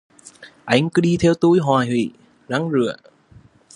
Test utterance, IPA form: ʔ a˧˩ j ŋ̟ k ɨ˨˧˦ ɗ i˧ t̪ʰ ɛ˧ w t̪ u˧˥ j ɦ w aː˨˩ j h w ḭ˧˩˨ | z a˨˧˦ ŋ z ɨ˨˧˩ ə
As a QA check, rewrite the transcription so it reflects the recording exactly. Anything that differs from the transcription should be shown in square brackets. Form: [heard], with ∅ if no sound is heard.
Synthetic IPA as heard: ʔ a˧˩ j ŋ̟ k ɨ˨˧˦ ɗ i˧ t̪ʰ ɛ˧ w t̪ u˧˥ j ɦ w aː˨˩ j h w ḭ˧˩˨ | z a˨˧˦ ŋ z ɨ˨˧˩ ə

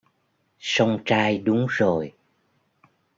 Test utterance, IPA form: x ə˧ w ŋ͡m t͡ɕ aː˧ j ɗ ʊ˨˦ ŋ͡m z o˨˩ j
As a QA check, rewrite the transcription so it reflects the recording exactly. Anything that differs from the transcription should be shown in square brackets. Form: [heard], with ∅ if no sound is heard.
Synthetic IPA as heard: [s] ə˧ w ŋ͡m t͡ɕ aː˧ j ɗ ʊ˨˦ ŋ͡m z o˨˩ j

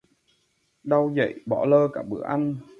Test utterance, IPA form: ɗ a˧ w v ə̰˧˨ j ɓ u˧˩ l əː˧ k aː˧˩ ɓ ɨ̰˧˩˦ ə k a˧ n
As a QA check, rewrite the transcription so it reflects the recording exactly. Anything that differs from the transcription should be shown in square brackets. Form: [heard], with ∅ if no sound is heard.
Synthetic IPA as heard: ɗ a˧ w [z] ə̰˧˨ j ɓ [ɔ˧˩] l əː˧ k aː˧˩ ɓ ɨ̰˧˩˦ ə [ʔ] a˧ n

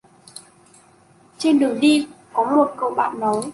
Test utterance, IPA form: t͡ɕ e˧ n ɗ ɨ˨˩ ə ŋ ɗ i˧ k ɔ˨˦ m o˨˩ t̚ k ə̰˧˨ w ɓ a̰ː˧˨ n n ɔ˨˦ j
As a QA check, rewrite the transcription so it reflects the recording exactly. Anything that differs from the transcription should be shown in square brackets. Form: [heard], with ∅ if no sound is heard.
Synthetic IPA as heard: t͡ɕ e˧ n ɗ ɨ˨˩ ə ŋ ɗ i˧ k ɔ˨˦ m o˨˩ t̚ k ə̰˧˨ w ɓ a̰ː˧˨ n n ɔ˨˦ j

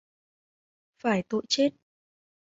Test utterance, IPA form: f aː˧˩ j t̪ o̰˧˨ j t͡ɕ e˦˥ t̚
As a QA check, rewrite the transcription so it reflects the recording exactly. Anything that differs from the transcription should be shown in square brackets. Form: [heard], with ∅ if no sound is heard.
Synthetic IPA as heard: f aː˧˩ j t̪ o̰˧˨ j t͡ɕ e˦˥ t̚

